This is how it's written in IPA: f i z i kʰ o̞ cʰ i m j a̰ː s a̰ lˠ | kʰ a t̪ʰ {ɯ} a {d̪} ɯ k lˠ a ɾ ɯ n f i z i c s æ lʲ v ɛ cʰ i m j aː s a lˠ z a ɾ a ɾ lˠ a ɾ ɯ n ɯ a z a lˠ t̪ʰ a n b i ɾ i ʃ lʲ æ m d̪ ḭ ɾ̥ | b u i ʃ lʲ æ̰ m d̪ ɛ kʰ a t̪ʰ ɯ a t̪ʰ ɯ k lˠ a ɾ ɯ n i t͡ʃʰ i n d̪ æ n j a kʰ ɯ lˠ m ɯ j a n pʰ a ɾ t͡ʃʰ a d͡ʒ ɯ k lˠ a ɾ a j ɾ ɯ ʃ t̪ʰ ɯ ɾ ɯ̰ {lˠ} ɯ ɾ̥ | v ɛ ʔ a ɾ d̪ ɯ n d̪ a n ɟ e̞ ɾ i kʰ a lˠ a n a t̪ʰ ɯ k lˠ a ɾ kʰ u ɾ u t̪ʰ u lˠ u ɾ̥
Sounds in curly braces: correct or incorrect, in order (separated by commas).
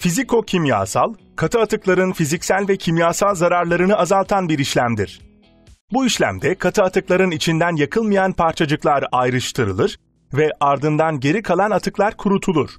correct, incorrect, correct